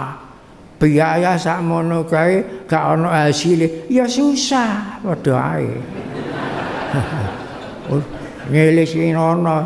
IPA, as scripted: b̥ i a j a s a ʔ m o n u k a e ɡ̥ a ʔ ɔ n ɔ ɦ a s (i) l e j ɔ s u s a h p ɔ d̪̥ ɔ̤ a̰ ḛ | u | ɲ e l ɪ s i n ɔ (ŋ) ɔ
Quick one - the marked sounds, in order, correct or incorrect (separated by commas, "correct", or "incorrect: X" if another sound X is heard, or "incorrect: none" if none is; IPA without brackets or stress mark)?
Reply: correct, incorrect: n